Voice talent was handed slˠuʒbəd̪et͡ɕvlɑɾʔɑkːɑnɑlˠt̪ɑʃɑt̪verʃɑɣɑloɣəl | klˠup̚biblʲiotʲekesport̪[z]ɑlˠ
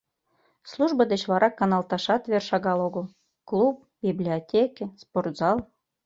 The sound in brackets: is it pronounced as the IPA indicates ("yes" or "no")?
yes